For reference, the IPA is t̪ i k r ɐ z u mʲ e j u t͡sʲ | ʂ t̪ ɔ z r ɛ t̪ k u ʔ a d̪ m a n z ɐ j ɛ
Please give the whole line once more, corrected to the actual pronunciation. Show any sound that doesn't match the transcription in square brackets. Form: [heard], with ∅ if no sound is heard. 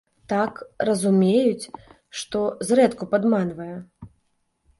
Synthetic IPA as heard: t̪ [a] k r ɐ z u mʲ e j u t͡sʲ | ʂ t̪ ɔ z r ɛ t̪ k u [p] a d̪ m a n [v] ɐ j ɛ